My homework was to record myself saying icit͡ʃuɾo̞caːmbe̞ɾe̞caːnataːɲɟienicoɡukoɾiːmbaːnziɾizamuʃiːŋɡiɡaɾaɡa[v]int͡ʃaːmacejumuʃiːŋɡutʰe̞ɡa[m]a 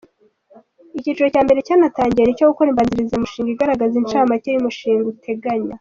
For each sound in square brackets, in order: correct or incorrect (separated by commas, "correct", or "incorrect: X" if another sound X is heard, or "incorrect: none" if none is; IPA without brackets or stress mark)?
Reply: incorrect: z, incorrect: ɲ